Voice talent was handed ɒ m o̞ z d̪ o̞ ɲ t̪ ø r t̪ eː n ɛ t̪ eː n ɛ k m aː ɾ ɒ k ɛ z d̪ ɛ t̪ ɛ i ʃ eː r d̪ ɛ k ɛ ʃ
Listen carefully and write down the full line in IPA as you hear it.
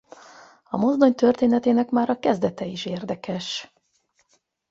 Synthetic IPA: ɒ m o̞ z d̪ o̞ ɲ t̪ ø r t̪ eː n ɛ t̪ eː n ɛ k m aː ɾ ɒ k ɛ z d̪ ɛ t̪ ɛ i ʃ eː r d̪ ɛ k ɛ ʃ